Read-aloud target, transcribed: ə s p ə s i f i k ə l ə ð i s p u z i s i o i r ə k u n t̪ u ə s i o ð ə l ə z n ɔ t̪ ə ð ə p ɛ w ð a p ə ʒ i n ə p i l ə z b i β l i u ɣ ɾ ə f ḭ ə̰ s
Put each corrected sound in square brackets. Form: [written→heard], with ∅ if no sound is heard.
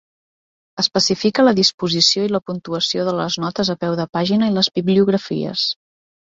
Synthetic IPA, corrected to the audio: ə s p ə s i f i k ə l ə ð i s p u z i s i o i [r→l] ə [k→p] u n t̪ u ə s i o ð ə l ə z n ɔ t̪ ə [ð→z] ə p ɛ w ð [a→ə] p [ə→a] ʒ i n ə [p→∅] i l ə z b i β l i u ɣ ɾ ə f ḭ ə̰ s